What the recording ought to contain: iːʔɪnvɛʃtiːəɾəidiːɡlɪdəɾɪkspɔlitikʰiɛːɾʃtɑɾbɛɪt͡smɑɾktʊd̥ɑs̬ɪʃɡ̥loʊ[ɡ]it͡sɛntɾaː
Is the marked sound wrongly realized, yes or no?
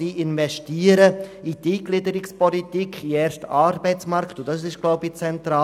yes